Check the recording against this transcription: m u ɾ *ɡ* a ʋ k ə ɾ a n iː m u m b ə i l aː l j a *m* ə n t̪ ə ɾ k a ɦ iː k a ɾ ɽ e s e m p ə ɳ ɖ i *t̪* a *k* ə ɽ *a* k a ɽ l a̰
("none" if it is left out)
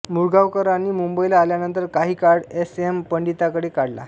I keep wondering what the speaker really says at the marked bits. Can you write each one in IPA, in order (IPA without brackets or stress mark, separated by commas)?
ɡ, n, t̪, k, e